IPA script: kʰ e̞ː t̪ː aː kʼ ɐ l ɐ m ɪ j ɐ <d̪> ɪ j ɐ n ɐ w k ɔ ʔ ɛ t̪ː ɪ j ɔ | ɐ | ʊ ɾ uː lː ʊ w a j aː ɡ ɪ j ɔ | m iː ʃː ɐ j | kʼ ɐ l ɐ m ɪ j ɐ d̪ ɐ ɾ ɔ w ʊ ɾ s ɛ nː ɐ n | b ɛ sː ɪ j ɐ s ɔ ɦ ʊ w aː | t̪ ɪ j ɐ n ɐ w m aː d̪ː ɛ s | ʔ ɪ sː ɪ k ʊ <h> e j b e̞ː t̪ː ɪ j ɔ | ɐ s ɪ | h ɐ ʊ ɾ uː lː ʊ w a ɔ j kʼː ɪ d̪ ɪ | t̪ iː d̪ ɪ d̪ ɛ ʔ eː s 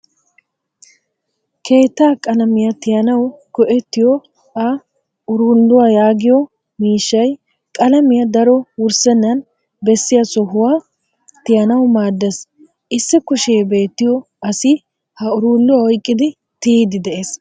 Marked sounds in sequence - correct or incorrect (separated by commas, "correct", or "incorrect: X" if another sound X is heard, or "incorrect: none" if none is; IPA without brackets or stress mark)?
incorrect: t̪, incorrect: ʃ